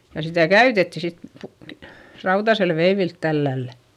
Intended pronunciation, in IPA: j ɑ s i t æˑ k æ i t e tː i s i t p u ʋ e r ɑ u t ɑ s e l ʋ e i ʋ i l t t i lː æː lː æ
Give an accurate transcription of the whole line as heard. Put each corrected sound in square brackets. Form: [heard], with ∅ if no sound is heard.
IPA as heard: j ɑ s i t æˑ k æ [y] t e tː i s i t p u ʋ e r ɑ u t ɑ s e l ʋ e i ʋ i l t t [æ] lː [æ] lː æ

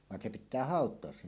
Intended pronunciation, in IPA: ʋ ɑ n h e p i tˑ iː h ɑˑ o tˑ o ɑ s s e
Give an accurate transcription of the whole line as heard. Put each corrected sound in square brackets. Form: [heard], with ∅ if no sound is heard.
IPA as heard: ʋ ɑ n [s] e p i tˑ [æː] h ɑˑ o tˑ o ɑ s s e

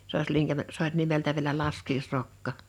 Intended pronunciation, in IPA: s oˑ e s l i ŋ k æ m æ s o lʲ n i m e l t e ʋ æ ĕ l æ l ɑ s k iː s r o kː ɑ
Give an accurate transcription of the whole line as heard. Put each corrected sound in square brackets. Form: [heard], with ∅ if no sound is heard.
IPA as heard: s oˑ [i] s l i ŋ k æ m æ s o lʲ n i m e l t [æ] ʋ [i] ĕ l æ l ɑ s k iː s r o kː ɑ

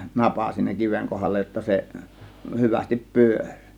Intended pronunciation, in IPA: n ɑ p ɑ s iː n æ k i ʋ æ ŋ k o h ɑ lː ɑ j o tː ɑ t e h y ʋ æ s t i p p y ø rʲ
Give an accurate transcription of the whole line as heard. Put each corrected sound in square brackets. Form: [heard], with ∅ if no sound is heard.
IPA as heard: n ɑ p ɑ s iː n æ k i ʋ [e] ŋ k o h ɑ lː ɑ j o tː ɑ [s] e h y ʋ æ s t i p p y ø rʲ

